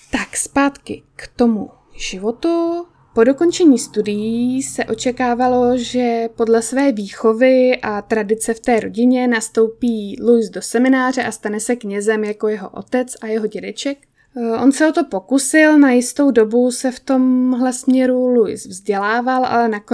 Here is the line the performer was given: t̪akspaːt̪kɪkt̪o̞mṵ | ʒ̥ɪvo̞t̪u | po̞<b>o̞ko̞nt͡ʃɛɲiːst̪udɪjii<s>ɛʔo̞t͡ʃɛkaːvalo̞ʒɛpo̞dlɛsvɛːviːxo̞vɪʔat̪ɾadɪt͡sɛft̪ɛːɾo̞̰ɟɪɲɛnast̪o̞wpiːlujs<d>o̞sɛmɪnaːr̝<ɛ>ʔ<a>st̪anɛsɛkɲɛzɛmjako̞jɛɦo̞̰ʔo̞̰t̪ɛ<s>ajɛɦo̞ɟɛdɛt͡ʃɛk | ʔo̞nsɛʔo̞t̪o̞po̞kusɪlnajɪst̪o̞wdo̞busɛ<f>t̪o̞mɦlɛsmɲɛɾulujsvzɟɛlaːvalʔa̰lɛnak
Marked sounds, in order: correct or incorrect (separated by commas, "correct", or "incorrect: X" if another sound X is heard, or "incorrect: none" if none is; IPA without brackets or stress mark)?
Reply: incorrect: d, correct, correct, correct, correct, incorrect: t͡s, correct